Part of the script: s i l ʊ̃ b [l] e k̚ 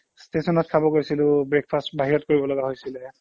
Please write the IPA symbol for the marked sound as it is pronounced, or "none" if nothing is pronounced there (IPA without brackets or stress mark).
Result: ɹ